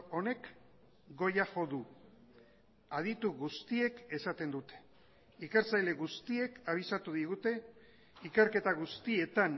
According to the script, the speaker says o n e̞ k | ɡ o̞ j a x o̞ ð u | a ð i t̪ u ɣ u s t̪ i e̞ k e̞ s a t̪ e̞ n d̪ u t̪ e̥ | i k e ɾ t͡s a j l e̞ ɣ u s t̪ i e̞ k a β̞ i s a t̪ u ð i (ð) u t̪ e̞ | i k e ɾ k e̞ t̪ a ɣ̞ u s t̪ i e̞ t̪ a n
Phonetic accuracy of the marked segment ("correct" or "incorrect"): incorrect